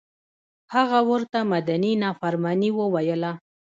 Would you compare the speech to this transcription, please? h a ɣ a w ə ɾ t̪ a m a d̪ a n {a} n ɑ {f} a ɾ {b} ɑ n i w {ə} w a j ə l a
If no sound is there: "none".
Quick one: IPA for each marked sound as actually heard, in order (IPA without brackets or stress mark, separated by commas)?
i, f, m, ə